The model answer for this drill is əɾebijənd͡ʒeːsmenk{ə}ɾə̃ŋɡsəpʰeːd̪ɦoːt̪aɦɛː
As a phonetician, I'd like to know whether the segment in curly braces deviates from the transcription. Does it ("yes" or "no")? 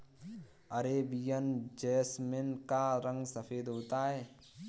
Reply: yes